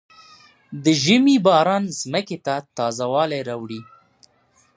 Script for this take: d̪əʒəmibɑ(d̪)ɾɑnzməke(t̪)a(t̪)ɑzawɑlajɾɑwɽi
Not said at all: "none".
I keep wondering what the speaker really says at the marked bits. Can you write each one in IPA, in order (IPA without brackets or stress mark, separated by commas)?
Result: none, t̪, t̪